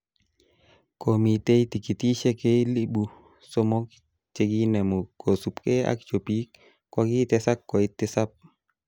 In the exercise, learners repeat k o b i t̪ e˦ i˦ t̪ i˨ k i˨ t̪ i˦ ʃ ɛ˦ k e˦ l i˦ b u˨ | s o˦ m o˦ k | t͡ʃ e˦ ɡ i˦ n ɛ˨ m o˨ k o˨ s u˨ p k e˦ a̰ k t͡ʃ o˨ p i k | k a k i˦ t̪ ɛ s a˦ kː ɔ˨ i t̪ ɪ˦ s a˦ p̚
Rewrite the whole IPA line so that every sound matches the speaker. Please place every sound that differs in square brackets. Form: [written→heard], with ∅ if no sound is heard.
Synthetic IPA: k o [b→m] i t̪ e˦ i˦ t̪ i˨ k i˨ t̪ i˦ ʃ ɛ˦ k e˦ l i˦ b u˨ | s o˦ m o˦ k | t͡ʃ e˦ ɡ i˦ n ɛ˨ m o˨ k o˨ s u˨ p k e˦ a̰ k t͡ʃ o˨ p i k | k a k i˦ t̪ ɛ s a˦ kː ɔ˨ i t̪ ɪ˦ s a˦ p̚